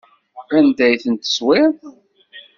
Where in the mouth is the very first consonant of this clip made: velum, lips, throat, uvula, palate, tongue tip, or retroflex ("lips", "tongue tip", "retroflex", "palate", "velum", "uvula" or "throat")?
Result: tongue tip